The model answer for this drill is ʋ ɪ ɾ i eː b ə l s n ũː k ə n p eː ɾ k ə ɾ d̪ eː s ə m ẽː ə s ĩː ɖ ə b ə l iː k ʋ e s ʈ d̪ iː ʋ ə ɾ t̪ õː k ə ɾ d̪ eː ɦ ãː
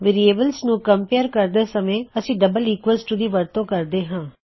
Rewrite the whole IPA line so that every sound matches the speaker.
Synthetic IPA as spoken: ʋ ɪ ɾ i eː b ə l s n ũː k ə m p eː ɾ k ə ɾ d̪ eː s ə m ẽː ə s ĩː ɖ ə b ə l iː k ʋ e s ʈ d̪ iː ʋ ə ɾ t̪ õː k ə ɾ d̪ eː ɦ ãː